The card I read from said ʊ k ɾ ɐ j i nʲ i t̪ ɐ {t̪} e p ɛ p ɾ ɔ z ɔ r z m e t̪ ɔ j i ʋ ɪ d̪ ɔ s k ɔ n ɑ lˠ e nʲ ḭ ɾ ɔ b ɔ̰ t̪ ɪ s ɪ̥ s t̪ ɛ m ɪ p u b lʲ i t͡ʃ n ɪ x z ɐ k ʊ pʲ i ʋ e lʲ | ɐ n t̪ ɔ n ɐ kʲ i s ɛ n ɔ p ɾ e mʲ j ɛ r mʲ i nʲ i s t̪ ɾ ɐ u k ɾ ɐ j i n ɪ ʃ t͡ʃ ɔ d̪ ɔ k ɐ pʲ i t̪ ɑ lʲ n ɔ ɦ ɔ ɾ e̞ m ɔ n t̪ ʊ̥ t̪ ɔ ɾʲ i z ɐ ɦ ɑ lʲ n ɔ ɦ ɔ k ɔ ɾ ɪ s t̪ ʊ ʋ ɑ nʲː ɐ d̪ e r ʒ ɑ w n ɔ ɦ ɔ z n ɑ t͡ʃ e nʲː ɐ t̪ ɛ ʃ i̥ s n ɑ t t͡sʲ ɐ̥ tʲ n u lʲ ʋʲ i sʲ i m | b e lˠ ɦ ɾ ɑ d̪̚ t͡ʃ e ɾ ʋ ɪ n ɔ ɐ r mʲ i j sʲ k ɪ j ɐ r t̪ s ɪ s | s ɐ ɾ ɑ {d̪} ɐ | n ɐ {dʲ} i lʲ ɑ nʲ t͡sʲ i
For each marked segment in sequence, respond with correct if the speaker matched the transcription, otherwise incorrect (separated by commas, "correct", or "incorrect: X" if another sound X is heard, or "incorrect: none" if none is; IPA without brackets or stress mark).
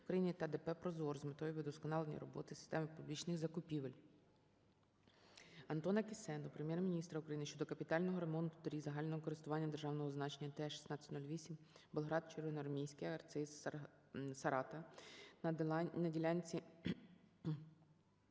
incorrect: d̪, incorrect: t̪, correct